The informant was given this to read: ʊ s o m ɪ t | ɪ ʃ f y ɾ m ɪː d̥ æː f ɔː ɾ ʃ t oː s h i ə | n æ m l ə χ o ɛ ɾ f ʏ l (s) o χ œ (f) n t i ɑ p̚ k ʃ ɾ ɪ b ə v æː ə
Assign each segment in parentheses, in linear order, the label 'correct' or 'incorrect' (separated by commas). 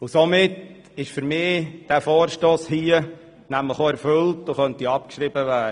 incorrect, incorrect